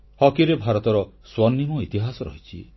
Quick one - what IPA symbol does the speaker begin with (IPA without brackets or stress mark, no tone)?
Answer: h